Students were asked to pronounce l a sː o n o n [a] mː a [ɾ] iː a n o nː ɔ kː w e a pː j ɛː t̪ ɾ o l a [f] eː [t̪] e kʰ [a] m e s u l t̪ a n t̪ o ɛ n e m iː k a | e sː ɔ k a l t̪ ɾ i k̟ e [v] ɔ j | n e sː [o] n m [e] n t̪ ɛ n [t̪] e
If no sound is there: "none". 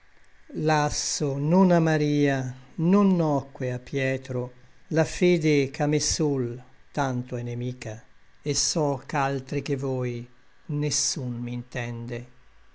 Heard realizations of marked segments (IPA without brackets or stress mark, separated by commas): a, ɾ, f, d̪, a, v, u, i, d̪